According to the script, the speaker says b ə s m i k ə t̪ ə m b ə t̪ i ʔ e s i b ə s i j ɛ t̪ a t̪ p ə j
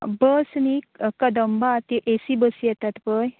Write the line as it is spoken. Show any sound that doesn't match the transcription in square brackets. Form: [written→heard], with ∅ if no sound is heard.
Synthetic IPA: b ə s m i k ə [t̪→d̪] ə m b [ə→a] t̪ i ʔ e s i b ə s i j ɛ t̪ a t̪ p ə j